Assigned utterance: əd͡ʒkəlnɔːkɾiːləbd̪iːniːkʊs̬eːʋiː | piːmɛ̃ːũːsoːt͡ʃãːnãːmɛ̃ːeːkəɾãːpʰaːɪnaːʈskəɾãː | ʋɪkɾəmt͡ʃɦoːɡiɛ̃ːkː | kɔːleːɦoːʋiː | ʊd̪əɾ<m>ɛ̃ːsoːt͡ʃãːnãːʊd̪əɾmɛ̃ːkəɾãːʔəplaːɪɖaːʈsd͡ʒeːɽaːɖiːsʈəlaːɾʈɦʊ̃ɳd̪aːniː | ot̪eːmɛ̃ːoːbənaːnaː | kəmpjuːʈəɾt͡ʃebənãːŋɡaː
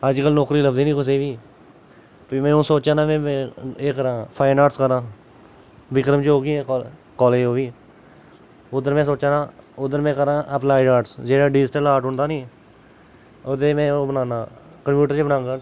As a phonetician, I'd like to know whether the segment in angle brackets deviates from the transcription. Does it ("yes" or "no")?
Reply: no